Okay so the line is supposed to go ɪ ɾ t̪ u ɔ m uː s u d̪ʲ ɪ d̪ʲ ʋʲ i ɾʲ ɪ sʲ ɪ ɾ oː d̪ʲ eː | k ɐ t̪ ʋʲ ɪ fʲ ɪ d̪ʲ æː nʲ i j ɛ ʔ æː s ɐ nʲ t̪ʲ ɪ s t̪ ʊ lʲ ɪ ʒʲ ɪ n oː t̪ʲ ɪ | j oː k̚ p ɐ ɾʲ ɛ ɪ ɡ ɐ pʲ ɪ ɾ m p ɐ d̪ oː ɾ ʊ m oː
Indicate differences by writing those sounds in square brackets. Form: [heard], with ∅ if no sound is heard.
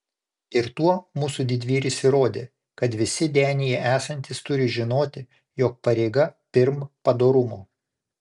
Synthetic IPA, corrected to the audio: ɪ ɾ t̪ u ɔ m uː s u d̪ʲ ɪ d̪ʲ ʋʲ [iː] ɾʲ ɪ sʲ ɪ ɾ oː d̪ʲ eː | k ɐ t̪ ʋʲ ɪ [sʲ] ɪ d̪ʲ æː nʲ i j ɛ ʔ æː s ɐ nʲ t̪ʲ ɪ s t̪ ʊ [ɾʲ] ɪ ʒʲ ɪ n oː t̪ʲ ɪ | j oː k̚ p ɐ ɾʲ ɛ ɪ ɡ ɐ pʲ ɪ ɾ m p ɐ d̪ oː ɾ ʊ m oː